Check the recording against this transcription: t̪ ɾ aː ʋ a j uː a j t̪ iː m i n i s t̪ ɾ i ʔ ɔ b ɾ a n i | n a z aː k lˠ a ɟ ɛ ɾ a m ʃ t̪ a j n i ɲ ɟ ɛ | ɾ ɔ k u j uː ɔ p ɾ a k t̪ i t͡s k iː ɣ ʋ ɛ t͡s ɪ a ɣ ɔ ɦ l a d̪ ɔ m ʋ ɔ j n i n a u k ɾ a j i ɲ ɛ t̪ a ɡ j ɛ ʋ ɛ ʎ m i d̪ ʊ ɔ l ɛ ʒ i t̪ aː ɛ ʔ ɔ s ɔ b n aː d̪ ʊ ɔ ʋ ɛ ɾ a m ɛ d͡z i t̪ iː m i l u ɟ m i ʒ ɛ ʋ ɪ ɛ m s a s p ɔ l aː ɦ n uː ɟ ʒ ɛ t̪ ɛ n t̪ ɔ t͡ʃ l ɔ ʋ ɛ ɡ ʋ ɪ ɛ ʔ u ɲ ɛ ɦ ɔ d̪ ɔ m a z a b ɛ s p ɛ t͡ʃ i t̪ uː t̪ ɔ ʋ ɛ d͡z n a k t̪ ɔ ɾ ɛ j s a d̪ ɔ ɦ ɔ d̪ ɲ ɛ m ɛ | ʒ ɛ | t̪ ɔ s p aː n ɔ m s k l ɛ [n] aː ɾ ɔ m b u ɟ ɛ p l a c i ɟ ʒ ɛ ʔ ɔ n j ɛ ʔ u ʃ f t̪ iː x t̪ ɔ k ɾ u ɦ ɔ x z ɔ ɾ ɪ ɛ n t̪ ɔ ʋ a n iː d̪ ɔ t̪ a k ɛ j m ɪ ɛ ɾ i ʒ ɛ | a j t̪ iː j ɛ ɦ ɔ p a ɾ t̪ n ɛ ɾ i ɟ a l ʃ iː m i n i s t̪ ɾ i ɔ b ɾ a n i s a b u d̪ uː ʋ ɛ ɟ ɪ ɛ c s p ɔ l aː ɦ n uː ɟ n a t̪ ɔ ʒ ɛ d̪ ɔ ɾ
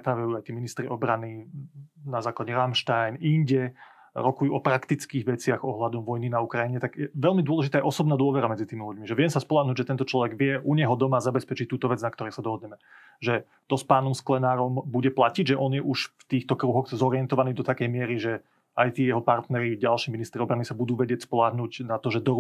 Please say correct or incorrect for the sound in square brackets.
correct